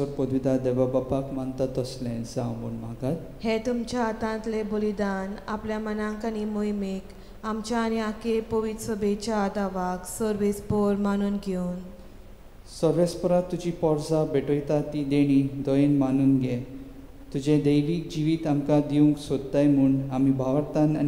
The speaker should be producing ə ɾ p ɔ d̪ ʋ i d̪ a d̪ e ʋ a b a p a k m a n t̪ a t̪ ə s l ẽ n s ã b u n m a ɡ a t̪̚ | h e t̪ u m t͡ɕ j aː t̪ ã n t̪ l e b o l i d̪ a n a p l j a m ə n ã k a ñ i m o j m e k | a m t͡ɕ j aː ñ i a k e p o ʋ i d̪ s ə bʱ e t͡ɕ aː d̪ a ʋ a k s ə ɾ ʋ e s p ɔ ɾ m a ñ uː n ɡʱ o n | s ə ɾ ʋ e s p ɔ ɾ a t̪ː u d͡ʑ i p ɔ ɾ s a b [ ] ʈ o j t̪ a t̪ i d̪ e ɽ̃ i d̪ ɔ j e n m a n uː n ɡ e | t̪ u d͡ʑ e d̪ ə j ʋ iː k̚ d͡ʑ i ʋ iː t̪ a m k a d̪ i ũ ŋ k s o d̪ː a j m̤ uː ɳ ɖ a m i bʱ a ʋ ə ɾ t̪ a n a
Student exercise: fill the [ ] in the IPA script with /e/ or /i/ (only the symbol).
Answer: e